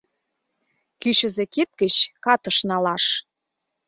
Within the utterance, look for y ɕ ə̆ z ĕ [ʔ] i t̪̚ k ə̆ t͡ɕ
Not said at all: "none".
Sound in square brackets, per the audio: k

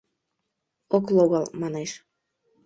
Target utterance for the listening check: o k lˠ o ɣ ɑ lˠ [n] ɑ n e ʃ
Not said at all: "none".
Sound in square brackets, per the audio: m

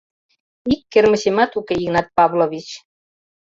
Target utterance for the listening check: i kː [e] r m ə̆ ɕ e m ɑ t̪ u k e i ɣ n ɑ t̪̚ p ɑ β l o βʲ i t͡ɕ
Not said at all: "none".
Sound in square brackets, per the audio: e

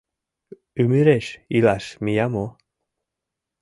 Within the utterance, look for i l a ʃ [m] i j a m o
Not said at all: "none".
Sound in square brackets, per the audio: m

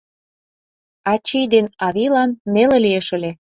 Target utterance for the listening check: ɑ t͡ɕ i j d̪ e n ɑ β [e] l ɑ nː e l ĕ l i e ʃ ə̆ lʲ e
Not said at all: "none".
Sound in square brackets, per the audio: i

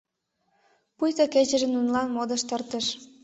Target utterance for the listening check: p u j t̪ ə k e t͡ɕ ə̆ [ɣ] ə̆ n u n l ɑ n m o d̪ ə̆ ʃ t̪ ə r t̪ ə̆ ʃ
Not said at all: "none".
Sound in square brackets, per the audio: ʒ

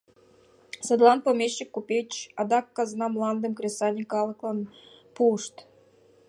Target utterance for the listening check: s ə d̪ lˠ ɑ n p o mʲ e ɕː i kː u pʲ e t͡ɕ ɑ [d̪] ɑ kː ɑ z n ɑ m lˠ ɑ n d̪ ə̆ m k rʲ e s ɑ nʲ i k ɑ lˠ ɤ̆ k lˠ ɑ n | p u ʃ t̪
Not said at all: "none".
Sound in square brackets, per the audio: d̪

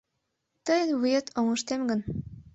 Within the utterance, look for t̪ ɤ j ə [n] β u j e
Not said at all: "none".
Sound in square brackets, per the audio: n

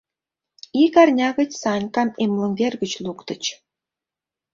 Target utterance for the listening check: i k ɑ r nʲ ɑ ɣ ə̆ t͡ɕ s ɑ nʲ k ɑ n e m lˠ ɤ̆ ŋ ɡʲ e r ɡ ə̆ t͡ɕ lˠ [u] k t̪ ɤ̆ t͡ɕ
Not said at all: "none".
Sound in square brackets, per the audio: u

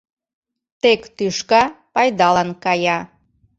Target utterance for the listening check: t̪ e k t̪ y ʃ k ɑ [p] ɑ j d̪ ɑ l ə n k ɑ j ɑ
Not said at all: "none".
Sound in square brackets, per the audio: p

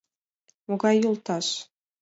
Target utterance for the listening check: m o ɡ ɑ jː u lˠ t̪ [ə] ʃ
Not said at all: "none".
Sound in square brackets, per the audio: ɑ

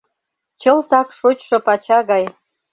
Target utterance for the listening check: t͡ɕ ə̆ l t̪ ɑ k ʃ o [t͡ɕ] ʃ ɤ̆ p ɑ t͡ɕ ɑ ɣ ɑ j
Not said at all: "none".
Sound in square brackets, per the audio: t͡ɕ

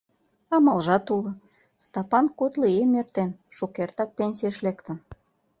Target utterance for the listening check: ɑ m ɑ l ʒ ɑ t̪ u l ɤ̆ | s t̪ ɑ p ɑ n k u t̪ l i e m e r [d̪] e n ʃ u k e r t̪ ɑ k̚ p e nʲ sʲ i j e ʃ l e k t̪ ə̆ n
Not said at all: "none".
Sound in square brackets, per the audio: t̪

